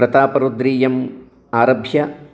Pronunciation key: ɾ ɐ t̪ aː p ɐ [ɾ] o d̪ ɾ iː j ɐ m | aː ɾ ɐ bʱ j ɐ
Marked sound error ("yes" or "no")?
no